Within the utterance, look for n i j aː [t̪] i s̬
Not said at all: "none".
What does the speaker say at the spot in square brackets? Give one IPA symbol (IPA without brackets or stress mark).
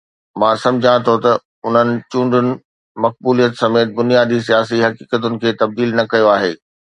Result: d̪